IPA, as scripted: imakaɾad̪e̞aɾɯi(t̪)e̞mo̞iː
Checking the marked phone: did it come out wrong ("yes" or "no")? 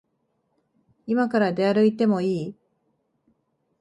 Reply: no